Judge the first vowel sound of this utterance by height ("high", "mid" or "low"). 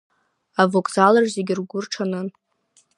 low